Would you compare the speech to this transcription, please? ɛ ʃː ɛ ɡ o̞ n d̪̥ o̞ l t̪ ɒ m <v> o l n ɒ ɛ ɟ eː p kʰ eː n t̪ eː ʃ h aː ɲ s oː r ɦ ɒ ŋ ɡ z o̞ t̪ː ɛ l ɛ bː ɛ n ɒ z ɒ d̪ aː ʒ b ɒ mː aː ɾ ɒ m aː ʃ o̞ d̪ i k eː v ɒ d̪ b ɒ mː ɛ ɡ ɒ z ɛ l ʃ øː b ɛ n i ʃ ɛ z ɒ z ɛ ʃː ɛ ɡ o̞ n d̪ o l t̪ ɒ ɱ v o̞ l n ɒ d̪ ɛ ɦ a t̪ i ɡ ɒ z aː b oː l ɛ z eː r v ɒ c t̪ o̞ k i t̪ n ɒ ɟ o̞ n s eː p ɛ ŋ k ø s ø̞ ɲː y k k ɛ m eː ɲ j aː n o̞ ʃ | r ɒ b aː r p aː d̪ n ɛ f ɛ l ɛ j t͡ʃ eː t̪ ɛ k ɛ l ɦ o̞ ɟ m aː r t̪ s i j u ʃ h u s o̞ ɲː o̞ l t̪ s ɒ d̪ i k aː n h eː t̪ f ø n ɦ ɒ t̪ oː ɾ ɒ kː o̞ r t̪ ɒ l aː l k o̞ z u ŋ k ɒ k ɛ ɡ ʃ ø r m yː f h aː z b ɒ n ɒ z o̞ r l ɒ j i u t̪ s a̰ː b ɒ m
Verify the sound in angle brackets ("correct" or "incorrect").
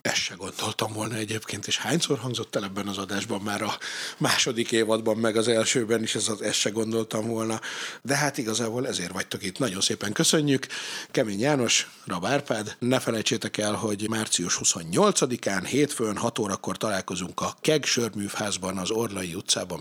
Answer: correct